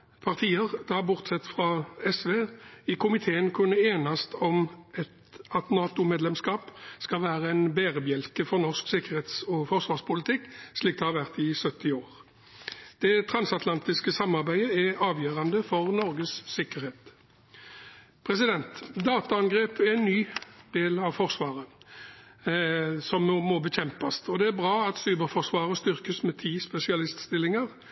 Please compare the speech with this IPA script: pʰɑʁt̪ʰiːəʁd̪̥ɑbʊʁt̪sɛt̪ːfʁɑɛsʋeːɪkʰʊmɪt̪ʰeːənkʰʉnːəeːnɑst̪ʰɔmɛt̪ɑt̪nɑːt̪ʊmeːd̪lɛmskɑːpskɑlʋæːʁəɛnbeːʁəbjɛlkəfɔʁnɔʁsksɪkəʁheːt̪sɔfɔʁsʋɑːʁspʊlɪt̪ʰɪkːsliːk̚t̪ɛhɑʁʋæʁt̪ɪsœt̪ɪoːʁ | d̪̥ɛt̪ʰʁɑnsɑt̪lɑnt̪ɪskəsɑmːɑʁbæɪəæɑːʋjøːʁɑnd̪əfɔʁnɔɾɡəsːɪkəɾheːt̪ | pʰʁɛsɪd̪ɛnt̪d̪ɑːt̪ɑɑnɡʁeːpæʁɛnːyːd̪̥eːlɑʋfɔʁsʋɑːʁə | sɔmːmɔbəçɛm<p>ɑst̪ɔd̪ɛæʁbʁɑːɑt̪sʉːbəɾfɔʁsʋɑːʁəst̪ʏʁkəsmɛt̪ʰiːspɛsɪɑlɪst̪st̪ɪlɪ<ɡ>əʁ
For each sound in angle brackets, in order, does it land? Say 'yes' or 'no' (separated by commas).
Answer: yes, no